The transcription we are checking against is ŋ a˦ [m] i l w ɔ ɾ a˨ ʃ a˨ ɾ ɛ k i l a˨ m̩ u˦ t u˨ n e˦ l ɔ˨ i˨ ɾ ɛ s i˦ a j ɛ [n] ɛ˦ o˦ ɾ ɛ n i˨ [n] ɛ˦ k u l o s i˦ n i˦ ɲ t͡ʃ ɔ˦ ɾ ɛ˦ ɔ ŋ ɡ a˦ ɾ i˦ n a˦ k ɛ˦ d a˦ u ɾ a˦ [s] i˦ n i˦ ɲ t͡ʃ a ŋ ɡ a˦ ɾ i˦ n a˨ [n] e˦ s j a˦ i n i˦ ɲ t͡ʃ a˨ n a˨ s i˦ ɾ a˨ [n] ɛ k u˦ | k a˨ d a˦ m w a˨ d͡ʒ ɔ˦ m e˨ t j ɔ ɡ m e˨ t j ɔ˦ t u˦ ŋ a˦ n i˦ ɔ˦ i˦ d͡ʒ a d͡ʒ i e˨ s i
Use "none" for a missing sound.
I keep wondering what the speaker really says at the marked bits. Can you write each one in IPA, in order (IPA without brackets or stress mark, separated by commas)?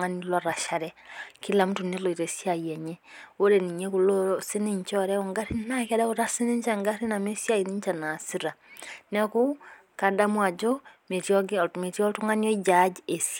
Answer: n, ɲ, ɲ, s, m, n